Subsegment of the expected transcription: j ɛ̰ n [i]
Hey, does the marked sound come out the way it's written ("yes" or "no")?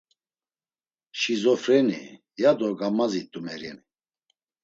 yes